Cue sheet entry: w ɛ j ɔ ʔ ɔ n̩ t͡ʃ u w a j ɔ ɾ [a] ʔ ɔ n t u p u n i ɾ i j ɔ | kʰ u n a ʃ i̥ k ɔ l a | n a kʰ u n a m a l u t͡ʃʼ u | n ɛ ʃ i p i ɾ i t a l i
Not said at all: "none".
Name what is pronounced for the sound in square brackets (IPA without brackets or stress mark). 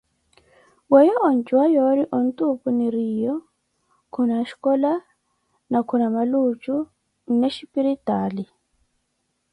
i